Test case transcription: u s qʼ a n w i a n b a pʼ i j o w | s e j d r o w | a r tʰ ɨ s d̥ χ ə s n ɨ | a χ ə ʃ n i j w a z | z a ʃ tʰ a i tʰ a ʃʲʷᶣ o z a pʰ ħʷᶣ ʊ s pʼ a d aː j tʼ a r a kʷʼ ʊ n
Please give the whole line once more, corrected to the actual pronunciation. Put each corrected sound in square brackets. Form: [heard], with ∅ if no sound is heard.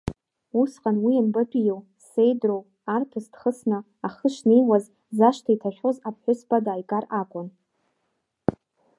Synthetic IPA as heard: u s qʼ a n w i a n b a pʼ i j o w | s e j d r o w | a r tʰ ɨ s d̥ χ ə s n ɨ | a χ ə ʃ n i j w a z | z a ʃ tʰ a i tʰ a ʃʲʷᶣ o z a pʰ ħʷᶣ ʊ s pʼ a d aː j [kʼ] a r a kʷʼ ʊ n